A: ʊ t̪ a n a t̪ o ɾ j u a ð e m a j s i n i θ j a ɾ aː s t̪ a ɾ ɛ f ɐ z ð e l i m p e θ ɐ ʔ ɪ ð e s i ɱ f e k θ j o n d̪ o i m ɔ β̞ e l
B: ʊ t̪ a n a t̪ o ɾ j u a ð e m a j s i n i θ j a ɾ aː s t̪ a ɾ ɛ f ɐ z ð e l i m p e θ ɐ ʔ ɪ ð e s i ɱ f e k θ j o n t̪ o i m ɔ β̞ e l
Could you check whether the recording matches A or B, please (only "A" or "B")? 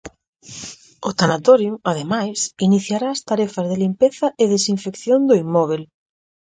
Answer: A